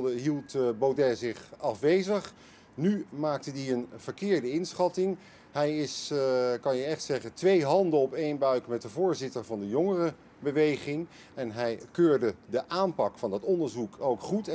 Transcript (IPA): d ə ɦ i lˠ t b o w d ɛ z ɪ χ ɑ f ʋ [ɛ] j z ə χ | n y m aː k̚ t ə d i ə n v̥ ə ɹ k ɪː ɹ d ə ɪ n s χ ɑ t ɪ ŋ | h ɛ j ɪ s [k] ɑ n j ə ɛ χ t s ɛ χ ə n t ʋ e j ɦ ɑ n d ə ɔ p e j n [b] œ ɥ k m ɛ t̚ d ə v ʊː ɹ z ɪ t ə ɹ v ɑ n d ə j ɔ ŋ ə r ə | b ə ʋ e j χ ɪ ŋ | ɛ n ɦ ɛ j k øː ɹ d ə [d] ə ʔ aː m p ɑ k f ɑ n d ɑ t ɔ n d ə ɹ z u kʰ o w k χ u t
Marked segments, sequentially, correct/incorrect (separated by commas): incorrect, correct, correct, correct